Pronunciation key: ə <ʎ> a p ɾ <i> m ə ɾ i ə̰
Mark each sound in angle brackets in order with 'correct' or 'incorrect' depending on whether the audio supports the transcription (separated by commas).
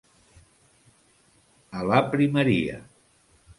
incorrect, correct